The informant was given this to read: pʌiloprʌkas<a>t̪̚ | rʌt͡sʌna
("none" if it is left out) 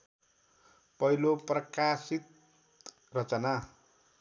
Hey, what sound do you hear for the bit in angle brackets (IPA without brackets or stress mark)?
i